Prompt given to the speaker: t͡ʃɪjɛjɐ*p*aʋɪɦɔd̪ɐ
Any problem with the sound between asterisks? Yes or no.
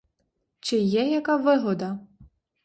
yes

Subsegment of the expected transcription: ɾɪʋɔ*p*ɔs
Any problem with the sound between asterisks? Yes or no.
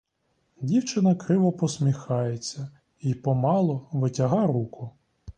no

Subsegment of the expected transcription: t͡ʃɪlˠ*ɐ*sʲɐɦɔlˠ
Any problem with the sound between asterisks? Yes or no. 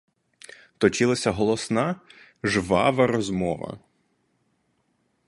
no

